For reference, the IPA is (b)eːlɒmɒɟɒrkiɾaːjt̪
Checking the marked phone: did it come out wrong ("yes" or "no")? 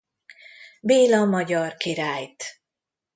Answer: no